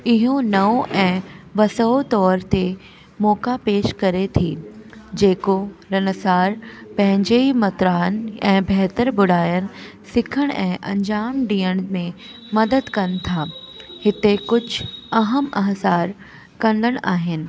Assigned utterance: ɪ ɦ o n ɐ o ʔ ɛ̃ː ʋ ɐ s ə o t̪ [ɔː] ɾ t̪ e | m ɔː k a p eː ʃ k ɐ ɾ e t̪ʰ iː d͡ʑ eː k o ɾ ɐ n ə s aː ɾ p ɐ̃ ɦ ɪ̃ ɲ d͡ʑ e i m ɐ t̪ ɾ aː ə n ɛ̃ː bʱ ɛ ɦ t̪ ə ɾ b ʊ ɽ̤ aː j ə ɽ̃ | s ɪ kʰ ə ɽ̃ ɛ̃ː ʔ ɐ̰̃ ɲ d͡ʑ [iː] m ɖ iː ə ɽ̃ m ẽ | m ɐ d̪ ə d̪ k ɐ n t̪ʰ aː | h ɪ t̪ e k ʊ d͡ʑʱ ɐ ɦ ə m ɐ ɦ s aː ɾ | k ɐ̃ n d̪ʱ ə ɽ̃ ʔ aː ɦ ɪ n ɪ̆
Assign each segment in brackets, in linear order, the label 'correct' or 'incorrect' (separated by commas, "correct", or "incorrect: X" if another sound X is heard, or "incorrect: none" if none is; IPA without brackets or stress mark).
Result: correct, incorrect: aː